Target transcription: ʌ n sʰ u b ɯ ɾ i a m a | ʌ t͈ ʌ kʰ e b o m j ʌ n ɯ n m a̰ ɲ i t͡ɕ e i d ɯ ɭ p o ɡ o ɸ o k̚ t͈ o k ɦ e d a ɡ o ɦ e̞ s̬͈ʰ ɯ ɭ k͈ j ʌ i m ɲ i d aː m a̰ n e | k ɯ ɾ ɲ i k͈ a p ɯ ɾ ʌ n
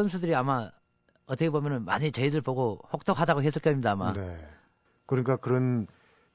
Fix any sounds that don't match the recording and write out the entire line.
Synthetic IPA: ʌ n sʰ u d ɯ ɾ i a m a | ʌ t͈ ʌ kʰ e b o m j ʌ n ɯ n m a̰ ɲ i t͡ɕ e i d ɯ ɭ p o ɡ o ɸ o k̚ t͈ o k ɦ a d a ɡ o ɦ e̞ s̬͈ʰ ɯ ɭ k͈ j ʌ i m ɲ i d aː m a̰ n e | k ɯ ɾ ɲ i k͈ a k ɯ ɾ ʌ n